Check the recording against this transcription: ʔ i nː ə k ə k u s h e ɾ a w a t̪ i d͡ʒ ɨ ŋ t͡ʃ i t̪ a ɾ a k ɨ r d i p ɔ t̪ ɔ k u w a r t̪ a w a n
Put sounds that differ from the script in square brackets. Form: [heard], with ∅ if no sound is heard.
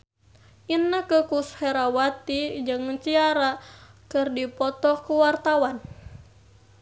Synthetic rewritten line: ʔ i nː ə k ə k u s h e ɾ a w a t̪ i d͡ʒ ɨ ŋ t͡ʃ i [∅] a ɾ a k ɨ r d i p ɔ t̪ ɔ k u w a r t̪ a w a n